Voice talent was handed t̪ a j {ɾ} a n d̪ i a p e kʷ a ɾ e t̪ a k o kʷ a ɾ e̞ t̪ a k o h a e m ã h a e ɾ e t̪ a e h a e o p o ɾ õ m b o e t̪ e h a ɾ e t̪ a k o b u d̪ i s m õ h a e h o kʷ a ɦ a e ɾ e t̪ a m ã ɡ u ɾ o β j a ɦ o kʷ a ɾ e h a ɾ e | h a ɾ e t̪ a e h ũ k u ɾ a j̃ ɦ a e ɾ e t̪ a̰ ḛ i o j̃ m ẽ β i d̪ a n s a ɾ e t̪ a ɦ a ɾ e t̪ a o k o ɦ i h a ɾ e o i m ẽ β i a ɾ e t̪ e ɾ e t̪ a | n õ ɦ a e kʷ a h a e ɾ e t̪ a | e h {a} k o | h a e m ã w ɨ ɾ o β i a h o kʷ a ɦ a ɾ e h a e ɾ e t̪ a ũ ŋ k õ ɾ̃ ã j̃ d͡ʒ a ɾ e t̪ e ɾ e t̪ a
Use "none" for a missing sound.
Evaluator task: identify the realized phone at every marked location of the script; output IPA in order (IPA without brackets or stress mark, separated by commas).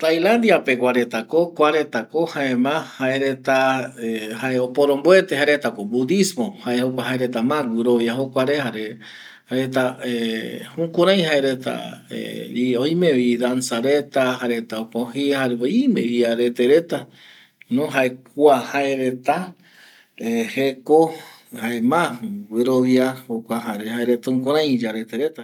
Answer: l, e